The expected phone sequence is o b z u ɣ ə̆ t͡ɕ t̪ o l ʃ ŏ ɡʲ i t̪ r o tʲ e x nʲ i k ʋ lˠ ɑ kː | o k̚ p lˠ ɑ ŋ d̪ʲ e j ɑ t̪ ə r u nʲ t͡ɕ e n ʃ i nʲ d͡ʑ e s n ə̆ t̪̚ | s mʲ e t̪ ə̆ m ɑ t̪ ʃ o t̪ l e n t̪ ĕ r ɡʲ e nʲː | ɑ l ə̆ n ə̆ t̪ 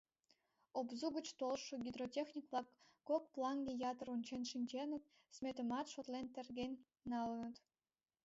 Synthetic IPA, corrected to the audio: o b z u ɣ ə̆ t͡ɕ t̪ o l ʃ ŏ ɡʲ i d̪ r o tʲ e x nʲ i k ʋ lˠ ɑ kː | o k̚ p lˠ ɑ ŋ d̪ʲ e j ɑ t̪ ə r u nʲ t͡ɕ e n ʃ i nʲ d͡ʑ e n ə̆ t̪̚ | s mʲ e t̪ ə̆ m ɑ t̪ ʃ o t̪ l e n t̪ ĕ r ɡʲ e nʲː | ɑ l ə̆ n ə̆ t̪